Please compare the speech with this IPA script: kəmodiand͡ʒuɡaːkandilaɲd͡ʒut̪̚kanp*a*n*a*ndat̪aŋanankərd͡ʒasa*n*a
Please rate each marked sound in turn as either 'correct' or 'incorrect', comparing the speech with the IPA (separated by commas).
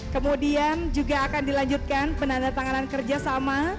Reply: incorrect, correct, incorrect